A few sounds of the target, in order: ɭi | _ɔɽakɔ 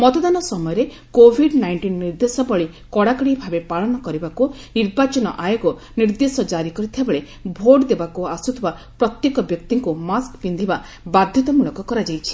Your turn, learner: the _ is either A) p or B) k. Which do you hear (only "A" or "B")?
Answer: B